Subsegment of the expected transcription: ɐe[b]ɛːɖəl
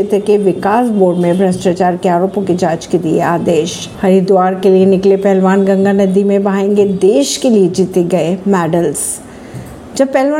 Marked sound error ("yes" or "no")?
yes